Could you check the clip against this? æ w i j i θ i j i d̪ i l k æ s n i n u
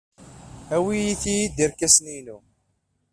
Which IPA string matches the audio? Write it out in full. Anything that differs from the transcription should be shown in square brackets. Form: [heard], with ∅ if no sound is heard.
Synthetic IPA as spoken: æ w i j i θ i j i d̪ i [ɾ] k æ s n i n u